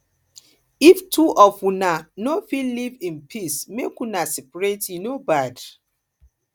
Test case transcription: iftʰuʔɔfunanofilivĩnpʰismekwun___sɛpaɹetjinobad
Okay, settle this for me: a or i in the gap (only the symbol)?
a